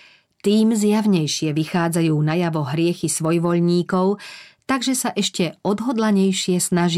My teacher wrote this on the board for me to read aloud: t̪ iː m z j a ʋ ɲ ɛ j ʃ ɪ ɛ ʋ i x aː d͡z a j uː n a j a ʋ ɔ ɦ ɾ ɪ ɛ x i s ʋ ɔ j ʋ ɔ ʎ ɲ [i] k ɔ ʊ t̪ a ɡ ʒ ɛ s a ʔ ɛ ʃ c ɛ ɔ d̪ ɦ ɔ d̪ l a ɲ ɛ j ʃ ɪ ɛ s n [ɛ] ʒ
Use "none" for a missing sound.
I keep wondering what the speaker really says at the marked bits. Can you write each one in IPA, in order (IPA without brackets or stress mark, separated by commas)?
iː, a